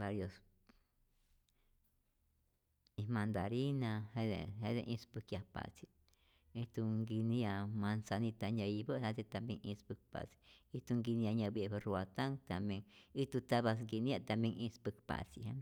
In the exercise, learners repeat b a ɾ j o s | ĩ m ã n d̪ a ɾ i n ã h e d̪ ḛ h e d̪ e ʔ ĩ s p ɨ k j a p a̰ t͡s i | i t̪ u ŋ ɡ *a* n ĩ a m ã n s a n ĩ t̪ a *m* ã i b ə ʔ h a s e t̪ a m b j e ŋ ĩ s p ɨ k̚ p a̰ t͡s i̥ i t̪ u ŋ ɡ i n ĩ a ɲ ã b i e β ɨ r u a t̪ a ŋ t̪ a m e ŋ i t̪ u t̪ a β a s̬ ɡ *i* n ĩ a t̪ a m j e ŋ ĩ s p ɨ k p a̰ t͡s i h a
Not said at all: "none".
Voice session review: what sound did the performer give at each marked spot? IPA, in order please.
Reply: i, ɲ, i

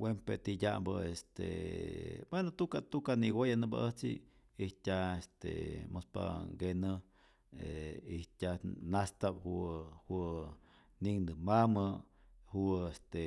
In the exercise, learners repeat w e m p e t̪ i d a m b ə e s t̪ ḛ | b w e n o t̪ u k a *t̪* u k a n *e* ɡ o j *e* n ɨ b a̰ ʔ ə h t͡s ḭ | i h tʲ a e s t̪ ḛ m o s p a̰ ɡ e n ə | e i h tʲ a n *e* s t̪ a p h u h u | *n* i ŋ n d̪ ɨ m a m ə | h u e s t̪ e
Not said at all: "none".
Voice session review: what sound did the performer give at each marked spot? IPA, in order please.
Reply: t̪, i, a, a, n

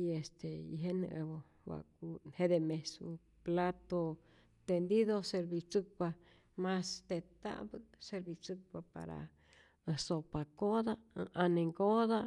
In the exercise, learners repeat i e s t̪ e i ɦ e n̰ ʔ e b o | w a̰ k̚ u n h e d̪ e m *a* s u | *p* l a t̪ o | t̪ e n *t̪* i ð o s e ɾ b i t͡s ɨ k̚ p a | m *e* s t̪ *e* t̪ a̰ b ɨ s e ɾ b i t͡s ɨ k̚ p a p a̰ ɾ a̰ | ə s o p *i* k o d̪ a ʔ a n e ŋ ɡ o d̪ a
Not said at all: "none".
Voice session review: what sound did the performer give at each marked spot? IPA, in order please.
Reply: e, p, d̪, a, e, a

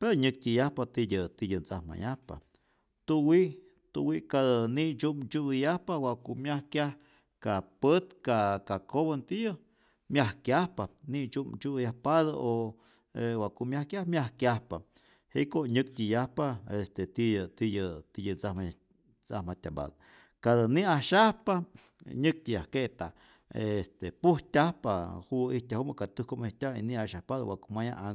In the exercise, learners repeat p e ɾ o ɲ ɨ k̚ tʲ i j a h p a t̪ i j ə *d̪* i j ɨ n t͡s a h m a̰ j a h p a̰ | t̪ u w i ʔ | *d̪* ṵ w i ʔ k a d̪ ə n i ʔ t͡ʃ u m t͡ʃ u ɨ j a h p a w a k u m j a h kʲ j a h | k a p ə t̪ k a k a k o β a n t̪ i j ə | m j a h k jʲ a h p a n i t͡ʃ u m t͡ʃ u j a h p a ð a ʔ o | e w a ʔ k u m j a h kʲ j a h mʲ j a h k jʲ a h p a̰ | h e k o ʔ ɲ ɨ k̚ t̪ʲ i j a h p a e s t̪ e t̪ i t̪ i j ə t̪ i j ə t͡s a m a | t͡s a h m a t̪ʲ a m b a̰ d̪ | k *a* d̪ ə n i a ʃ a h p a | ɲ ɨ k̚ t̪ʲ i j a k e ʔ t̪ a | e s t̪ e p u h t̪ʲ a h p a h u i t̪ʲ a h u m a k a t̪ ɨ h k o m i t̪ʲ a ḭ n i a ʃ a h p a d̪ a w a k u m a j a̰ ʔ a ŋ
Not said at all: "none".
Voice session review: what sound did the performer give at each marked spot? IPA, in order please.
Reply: t̪, t̪, a

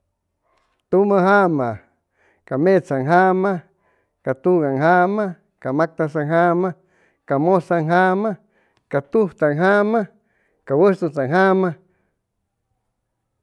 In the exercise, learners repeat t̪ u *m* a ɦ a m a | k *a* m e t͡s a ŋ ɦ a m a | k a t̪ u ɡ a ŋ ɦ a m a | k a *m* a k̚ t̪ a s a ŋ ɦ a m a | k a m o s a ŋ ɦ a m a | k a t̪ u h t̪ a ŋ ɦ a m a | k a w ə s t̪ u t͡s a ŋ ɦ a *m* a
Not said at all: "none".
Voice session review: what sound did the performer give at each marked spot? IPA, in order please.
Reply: m, a, m, m

